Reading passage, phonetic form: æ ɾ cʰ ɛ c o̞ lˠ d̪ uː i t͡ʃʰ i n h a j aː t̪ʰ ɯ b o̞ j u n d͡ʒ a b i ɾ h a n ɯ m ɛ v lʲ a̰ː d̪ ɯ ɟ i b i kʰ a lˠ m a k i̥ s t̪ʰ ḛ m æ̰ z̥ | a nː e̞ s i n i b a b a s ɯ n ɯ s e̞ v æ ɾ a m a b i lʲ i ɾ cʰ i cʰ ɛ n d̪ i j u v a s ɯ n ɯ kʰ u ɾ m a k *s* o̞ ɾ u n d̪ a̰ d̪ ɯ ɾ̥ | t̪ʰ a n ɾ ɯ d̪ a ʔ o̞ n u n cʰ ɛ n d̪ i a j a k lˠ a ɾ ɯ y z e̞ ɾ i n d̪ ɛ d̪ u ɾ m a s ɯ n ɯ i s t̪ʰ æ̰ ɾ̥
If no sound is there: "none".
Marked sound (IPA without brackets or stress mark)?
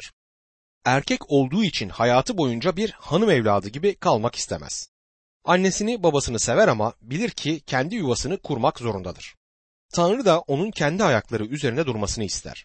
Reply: z